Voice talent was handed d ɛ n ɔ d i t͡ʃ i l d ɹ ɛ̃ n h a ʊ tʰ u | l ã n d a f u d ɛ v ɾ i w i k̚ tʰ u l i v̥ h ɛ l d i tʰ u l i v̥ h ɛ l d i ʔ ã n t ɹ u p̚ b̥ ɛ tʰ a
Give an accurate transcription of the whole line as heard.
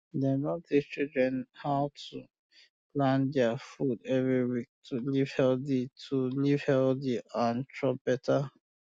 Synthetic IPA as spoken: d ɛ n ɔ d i t͡ʃ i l d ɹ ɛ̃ n h a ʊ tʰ u | l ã n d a f u d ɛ v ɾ i w i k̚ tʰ u l i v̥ h ɛ l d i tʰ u l i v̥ h ɛ l d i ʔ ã n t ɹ ɔ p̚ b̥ ɛ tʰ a